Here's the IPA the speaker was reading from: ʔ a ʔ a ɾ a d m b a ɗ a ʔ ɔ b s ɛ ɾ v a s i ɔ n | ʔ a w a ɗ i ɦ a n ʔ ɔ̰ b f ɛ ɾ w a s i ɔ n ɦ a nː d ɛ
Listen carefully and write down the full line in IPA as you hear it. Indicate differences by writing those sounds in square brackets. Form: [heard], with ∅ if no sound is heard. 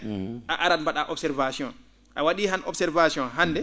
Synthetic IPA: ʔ a ʔ a ɾ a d m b a ɗ a ʔ ɔ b s ɛ ɾ v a s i ɔ n | ʔ a w a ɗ i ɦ a n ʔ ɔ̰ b [s] ɛ ɾ [v] a s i ɔ n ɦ a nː d ɛ

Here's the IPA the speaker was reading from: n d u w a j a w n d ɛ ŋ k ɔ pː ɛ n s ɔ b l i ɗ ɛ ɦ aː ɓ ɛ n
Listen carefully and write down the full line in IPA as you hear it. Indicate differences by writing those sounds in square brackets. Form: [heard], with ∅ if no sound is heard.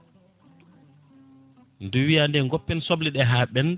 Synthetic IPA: n d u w [i] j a [∅] n d ɛ ŋ [ɡ] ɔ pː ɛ n s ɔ b l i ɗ ɛ ɦ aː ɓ ɛ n

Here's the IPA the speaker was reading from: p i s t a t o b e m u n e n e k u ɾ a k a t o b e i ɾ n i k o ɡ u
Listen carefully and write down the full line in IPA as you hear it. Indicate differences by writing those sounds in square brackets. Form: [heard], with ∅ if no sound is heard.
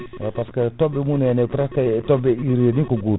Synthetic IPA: p [a] s [k] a t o b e m u n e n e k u ɾ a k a t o b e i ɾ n i k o ɡ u

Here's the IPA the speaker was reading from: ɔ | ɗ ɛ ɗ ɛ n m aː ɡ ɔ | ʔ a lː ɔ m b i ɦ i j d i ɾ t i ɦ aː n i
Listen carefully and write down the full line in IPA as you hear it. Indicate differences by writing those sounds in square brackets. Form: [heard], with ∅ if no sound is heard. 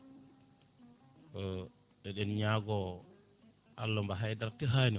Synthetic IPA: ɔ | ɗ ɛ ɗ ɛ n [ɲ] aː ɡ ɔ | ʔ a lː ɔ m b [a] ɦ [a] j d [a] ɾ t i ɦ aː n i

